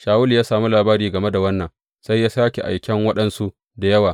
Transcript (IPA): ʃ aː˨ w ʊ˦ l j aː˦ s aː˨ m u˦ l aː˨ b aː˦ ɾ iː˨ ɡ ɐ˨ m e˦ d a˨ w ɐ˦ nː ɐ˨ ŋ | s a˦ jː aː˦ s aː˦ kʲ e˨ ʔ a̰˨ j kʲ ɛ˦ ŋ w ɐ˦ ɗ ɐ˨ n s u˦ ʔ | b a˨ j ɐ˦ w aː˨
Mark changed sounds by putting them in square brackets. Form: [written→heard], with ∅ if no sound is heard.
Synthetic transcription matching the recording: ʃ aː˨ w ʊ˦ l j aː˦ s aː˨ m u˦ l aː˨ b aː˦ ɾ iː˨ ɡ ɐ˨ m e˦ d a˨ w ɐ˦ nː ɐ˨ ŋ | s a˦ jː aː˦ s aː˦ kʲ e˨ ʔ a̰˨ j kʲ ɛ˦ ŋ w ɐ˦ ɗ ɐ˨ n s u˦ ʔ | [b→d] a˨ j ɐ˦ w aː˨